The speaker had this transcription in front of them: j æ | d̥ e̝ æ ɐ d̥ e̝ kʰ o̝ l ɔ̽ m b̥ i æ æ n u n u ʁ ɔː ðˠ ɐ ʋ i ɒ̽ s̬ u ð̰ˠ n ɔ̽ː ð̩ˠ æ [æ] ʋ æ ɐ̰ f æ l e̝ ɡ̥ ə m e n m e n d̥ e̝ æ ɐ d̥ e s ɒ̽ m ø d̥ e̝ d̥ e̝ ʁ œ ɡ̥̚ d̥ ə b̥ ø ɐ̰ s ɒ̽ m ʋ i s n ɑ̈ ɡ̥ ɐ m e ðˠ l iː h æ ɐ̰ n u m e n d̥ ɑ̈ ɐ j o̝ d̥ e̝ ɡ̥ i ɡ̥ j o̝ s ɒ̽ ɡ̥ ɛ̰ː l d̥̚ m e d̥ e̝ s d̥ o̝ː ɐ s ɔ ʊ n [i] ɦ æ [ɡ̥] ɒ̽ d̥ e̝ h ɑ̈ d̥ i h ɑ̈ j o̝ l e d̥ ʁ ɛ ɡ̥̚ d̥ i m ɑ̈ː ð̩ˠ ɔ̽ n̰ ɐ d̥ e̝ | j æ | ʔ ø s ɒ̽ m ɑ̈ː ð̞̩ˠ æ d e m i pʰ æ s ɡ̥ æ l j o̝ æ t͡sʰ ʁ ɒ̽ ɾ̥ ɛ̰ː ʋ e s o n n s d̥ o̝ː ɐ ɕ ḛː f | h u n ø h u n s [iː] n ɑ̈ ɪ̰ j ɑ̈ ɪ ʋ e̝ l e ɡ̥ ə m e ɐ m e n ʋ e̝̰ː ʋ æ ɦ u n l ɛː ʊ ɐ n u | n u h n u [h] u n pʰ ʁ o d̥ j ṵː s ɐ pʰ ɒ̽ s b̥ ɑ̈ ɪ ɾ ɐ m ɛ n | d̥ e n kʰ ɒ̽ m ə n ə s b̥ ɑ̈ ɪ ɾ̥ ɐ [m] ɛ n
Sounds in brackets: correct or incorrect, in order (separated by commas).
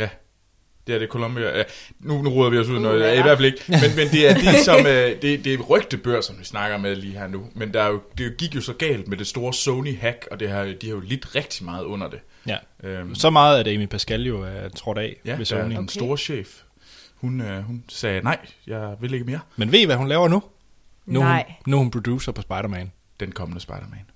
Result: incorrect, correct, correct, incorrect, correct, correct